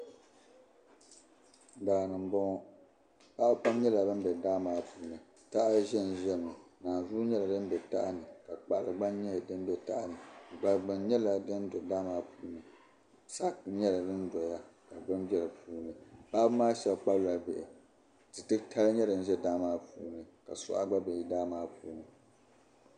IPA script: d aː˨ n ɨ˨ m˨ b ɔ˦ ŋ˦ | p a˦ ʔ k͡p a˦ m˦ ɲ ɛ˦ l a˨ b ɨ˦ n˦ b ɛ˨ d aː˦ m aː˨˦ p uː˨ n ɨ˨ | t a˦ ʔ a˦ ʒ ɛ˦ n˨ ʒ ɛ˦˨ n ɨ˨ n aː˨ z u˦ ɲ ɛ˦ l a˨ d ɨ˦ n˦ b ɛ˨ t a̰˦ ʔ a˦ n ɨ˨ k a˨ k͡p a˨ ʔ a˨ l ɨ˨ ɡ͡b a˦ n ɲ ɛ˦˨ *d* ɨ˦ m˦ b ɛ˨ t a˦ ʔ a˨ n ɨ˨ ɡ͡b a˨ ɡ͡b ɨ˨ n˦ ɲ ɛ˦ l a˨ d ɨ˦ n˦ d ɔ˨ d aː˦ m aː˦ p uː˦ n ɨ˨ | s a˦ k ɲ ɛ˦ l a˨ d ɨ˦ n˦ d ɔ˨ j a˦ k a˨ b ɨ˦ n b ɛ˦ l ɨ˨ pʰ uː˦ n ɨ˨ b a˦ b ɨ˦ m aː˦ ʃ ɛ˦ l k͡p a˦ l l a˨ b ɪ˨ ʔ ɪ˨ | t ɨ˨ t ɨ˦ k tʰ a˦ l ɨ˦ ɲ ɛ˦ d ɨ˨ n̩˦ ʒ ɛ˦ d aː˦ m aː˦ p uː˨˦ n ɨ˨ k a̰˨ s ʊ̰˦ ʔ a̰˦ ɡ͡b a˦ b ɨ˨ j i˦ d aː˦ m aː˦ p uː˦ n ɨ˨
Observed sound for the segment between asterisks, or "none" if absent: d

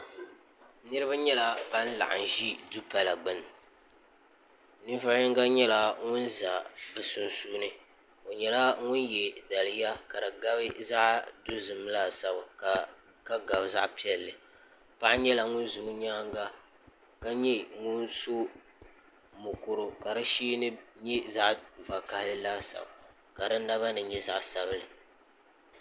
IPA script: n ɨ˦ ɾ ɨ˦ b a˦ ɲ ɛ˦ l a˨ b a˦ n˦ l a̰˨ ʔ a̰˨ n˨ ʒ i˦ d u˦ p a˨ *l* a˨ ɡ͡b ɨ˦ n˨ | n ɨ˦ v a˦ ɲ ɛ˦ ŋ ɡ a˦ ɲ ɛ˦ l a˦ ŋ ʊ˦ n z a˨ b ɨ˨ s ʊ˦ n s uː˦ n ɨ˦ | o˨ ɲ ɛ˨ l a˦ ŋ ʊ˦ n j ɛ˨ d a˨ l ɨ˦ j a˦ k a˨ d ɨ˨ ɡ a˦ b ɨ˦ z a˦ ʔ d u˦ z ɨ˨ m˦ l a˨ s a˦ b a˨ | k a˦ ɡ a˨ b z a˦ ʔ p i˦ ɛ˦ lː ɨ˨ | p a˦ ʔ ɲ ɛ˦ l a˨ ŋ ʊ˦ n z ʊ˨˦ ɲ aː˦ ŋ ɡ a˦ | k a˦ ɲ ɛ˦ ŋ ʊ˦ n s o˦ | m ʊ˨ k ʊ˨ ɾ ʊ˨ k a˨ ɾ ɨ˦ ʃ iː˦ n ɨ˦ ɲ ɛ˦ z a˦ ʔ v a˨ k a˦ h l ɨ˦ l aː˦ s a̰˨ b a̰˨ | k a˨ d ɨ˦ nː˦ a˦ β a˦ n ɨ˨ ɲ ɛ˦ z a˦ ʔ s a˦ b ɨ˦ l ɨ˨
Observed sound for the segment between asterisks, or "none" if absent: l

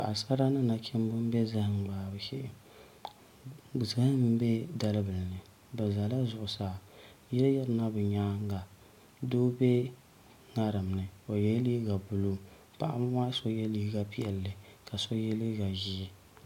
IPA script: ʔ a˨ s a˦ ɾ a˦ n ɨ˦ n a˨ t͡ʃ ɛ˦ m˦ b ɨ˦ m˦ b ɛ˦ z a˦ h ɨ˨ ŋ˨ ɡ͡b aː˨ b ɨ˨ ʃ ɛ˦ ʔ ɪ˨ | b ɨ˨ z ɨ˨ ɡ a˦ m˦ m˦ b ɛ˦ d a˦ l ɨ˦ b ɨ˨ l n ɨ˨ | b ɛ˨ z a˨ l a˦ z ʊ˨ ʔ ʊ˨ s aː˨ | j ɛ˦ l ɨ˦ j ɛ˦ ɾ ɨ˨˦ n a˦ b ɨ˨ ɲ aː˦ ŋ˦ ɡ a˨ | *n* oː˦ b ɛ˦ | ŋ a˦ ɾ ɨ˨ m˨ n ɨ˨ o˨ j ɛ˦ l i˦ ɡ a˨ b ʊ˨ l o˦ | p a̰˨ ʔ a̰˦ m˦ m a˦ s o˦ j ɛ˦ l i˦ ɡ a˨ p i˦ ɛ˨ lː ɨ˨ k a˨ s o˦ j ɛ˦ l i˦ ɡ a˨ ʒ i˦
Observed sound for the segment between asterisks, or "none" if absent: d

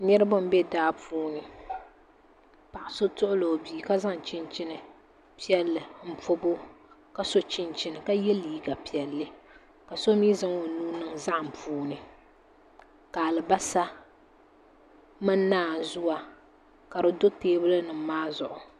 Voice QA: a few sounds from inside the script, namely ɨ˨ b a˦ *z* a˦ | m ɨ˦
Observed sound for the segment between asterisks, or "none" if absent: s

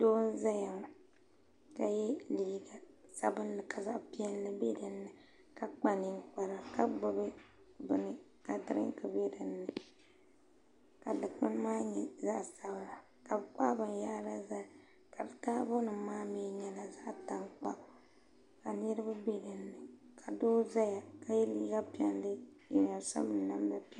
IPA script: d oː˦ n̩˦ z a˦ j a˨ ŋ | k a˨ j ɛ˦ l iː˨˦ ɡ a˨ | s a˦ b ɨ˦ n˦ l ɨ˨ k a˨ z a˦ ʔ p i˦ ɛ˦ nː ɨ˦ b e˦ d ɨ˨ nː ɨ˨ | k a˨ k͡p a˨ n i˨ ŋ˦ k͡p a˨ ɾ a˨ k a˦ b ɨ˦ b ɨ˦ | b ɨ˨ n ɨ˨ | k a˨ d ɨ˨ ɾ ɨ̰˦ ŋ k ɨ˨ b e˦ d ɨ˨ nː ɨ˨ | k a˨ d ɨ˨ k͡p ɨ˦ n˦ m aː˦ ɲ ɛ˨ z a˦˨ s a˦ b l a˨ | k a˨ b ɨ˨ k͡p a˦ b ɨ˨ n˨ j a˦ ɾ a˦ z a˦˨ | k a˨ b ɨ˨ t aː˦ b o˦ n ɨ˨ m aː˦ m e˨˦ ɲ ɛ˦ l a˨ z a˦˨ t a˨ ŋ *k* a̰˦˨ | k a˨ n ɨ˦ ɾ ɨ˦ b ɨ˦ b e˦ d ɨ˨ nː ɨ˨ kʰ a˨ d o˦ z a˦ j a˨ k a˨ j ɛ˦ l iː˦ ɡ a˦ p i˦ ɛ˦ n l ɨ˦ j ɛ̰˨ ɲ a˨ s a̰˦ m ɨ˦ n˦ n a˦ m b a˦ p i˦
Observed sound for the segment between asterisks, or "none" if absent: k͡p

